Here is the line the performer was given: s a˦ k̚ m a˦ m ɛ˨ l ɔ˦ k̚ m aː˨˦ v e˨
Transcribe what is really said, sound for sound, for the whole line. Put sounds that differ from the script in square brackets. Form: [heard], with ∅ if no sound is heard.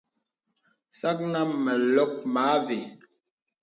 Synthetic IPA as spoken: s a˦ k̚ [n] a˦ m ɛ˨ l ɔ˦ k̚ m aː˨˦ v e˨